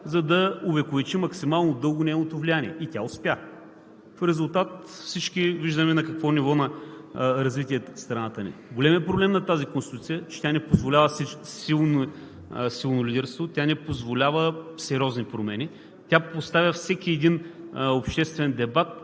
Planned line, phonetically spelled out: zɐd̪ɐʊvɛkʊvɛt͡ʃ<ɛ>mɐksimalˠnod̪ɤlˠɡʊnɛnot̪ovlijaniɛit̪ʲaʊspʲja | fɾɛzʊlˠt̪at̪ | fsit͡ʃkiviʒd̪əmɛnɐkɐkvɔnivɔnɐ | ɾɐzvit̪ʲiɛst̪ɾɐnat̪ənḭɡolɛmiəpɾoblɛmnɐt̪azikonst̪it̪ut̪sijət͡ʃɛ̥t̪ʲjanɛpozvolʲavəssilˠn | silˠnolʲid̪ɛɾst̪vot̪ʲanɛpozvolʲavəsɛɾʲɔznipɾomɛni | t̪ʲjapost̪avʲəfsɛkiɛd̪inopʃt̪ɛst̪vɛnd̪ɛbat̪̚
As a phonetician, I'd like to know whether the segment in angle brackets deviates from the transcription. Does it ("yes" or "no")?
yes